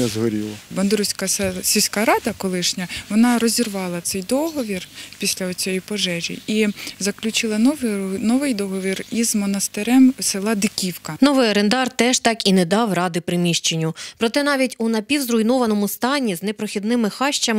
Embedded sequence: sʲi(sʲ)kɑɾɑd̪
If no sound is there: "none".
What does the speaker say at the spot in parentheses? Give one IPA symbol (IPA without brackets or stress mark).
sʲ